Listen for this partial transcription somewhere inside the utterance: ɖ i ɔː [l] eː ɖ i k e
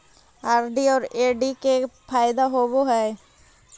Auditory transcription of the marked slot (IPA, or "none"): ɾ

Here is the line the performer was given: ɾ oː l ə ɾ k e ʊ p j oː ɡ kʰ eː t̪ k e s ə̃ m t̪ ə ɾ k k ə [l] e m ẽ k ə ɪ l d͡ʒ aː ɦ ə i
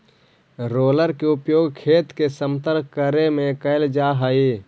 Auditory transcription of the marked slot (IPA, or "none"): ɾ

